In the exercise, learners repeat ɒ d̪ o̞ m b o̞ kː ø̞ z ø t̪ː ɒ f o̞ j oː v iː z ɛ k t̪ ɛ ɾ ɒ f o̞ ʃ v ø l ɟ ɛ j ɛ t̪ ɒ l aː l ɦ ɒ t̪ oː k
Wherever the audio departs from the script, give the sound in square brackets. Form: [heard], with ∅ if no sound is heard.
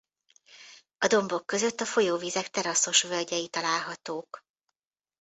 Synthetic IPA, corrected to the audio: ɒ d̪ o̞ m b o̞ kː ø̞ z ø t̪ː ɒ f o̞ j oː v iː z ɛ k t̪ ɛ ɾ ɒ [s] o̞ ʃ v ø l ɟ ɛ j [i] t̪ ɒ l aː l ɦ ɒ t̪ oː k

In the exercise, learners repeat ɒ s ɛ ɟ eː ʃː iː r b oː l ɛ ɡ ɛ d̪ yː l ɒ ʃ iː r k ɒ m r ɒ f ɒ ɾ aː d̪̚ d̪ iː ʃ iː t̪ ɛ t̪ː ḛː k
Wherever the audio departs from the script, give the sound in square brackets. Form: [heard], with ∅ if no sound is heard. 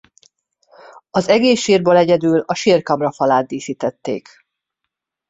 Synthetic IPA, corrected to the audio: ɒ [z] ɛ [ɡ] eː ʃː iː r b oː l ɛ [ɟ] ɛ d̪ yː l ɒ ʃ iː r k ɒ m r ɒ f ɒ [l] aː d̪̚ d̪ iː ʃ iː t̪ ɛ t̪ː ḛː k

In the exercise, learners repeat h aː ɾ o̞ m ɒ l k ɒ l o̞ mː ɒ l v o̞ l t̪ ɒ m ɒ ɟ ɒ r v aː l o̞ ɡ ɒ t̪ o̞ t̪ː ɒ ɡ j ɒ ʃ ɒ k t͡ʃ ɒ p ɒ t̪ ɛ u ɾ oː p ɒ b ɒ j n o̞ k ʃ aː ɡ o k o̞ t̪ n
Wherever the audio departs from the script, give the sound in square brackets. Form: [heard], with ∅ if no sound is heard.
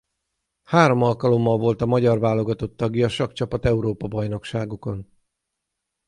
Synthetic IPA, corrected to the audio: h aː ɾ o̞ m ɒ l k ɒ l o̞ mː ɒ l v o̞ l t̪ ɒ m ɒ ɟ ɒ r v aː l o̞ ɡ ɒ t̪ o̞ t̪ː ɒ ɡ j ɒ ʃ ɒ k t͡ʃ ɒ p ɒ t̪ ɛ u ɾ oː p ɒ b ɒ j n o̞ k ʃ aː ɡ o k o̞ [∅] n

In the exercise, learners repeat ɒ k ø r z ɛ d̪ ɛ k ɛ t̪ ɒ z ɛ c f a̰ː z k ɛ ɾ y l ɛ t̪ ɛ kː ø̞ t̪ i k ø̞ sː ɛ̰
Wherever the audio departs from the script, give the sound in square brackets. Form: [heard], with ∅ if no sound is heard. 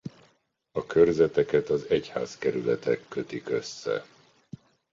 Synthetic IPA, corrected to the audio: ɒ k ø r z ɛ [t̪] ɛ k ɛ t̪ ɒ z ɛ c [h] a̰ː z k ɛ ɾ y l ɛ t̪ ɛ kː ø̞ t̪ i k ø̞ sː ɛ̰

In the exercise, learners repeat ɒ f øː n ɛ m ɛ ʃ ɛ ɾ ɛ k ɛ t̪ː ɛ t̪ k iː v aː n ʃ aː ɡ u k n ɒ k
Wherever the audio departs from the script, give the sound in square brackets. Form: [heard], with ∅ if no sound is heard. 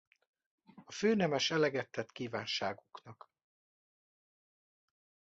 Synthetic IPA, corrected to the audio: ɒ f øː n ɛ m ɛ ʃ ɛ [l] ɛ [ɡ] ɛ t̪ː ɛ t̪ k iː v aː n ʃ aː ɡ u k n ɒ k

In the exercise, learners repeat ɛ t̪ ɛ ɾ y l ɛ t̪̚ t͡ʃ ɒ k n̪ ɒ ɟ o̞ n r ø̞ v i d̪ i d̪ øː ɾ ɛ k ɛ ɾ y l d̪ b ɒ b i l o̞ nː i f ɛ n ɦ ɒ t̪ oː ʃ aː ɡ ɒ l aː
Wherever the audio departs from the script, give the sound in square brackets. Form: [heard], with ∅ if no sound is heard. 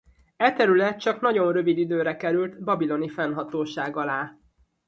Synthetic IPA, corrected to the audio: ɛ t̪ ɛ ɾ y l ɛ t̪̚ t͡ʃ ɒ k n̪ ɒ ɟ o̞ n r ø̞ v i d̪ i d̪ øː ɾ ɛ k ɛ ɾ y l [t̪] b ɒ b i l o̞ [n] i f ɛ n ɦ ɒ t̪ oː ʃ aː ɡ ɒ l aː

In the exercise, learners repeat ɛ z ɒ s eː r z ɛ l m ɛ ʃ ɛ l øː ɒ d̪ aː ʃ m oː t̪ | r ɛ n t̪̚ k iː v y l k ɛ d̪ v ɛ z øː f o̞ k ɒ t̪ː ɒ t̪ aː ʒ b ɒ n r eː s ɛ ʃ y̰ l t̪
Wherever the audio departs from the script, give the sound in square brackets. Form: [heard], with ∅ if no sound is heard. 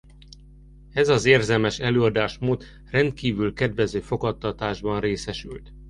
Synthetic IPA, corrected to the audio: ɛ z ɒ [z] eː r z ɛ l m ɛ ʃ ɛ l øː ɒ d̪ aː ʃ m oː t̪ | r ɛ n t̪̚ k iː v y l k ɛ d̪ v ɛ z øː f o̞ k ɒ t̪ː ɒ t̪ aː ʒ b ɒ n r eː s ɛ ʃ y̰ l t̪

